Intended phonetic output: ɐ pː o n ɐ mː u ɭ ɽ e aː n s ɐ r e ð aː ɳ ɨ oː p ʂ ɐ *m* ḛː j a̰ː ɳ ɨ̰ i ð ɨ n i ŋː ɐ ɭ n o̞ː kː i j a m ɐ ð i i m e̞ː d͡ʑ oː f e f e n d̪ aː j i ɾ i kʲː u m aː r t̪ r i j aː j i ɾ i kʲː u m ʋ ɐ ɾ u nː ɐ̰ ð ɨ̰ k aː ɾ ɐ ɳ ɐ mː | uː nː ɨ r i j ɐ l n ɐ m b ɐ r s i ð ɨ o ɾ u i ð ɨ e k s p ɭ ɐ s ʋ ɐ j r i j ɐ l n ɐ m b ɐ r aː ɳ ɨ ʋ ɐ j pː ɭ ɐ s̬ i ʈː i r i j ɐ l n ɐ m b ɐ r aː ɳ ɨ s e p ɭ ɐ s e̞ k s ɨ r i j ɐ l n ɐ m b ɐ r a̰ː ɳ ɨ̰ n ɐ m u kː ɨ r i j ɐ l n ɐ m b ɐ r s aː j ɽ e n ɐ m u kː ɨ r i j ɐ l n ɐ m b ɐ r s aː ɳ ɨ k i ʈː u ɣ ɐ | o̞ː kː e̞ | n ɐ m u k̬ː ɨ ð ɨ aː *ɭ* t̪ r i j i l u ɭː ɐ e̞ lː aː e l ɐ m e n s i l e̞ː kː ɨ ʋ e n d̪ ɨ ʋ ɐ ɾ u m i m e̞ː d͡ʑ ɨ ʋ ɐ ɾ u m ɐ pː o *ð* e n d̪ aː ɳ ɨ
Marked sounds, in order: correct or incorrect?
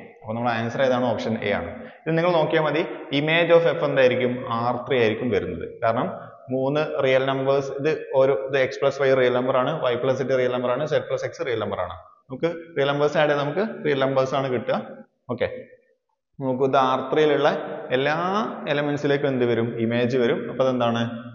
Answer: incorrect, incorrect, correct

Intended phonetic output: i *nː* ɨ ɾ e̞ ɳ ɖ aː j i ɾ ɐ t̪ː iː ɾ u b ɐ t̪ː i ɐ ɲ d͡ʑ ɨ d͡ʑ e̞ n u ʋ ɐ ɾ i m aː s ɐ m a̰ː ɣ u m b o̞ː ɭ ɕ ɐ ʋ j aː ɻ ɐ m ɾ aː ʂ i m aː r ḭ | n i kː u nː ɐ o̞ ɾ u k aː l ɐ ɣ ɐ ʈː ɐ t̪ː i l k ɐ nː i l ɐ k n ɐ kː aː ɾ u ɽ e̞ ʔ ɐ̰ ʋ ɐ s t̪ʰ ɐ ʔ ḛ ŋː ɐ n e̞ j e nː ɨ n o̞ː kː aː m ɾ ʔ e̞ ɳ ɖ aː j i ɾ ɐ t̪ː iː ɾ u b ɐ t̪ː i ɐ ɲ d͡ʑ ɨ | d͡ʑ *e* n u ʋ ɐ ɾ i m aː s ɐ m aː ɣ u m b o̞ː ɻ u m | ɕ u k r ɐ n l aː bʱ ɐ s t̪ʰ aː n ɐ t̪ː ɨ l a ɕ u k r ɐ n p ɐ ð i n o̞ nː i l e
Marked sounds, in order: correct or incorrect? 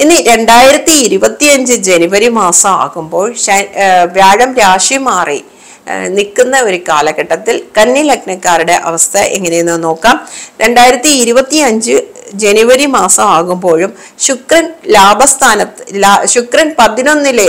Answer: correct, correct

